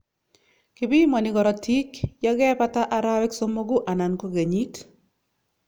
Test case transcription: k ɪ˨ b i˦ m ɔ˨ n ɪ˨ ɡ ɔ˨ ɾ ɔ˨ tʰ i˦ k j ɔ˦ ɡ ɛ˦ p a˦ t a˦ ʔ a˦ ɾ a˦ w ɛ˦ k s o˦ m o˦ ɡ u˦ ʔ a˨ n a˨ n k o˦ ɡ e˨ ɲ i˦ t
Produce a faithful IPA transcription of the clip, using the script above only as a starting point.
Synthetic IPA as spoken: k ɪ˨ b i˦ m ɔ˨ n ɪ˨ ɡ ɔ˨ ɾ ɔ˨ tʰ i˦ k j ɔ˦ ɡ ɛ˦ p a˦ t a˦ ʔ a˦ ɾ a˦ w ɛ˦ k s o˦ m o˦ ɡ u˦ ʔ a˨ n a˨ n k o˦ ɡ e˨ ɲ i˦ t

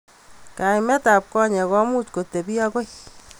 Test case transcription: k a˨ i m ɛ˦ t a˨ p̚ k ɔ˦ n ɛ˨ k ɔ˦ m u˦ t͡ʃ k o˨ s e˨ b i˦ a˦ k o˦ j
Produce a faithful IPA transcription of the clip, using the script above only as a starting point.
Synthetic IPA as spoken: k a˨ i m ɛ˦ t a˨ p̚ k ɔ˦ ɲ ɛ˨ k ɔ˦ m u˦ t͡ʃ k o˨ t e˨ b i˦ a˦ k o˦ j

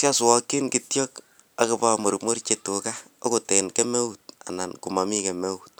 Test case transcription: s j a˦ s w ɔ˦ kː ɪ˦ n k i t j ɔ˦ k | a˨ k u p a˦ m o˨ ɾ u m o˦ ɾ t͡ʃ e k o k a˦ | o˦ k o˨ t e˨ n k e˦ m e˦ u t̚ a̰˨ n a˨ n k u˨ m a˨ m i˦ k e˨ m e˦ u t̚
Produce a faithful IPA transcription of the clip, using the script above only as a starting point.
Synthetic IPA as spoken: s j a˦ s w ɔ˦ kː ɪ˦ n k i t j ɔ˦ k | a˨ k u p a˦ m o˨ ɾ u m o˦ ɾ t͡ʃ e t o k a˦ | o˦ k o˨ t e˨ n k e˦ m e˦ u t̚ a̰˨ n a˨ n k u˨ m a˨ m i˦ k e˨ m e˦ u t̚

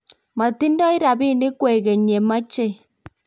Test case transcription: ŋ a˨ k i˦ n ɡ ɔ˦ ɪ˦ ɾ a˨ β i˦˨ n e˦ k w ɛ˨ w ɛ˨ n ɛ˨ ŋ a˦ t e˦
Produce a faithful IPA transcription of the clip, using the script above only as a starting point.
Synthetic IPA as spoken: m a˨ t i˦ n d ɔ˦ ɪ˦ ɾ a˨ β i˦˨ n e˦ k w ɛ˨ ɣ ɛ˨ ɲ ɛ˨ m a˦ t͡ʃ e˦

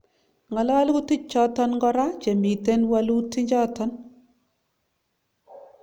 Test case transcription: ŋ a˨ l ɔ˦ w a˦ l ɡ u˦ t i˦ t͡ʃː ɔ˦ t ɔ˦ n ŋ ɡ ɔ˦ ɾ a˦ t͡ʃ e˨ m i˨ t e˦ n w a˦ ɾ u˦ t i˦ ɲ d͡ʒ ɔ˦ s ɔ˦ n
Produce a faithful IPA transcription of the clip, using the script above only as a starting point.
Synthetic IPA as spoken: ŋ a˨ l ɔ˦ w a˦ l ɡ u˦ t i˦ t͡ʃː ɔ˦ t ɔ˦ n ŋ ɡ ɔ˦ ɾ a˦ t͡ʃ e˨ m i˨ t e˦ n w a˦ l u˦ t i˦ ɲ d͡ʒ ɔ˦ t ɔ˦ n

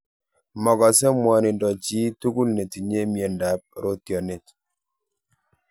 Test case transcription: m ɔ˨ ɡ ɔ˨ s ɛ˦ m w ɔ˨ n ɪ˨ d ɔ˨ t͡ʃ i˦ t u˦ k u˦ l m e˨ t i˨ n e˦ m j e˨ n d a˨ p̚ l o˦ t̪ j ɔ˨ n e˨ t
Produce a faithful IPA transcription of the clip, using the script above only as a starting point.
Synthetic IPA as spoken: m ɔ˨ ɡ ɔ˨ s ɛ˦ m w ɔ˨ n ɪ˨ d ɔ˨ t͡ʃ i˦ t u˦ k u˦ l n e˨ t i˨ ɲ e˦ m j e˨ n d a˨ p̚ ɾ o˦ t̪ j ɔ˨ n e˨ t

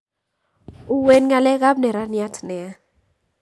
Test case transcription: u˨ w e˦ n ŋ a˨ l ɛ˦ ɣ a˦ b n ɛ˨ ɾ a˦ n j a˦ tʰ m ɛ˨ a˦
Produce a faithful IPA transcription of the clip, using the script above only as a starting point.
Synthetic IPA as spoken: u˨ w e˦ n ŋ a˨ l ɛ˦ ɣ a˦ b n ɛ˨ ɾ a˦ n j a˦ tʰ n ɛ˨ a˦

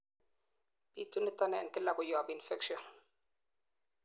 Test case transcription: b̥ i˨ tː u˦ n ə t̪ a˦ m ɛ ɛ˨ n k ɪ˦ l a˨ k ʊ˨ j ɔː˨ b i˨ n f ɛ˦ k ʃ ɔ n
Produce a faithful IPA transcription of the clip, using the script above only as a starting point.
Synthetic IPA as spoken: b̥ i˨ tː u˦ n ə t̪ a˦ n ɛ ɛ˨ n k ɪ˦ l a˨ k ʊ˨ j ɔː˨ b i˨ n f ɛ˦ k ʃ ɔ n

